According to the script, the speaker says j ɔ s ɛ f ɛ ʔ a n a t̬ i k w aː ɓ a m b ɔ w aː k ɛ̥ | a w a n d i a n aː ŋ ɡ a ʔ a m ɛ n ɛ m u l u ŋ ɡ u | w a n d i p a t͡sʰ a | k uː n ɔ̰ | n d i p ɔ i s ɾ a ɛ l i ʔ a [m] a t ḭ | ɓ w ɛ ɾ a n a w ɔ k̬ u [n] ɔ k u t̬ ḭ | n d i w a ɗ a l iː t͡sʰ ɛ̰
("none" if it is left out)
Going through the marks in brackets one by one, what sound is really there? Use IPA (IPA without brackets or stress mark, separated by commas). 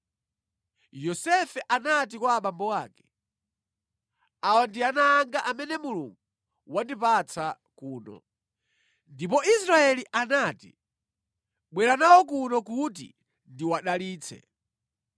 n, n